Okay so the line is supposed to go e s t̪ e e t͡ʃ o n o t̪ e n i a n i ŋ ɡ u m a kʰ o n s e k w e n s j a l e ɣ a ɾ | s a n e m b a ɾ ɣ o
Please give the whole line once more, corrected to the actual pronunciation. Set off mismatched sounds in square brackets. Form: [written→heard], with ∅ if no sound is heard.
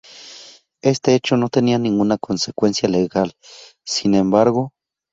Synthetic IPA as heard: e s t̪ e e t͡ʃ o n o t̪ e n i a n i ŋ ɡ u [m→n] a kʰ o n s e k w e n s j a l e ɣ a [ɾ→l] | s [a→i] n e m b a ɾ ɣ o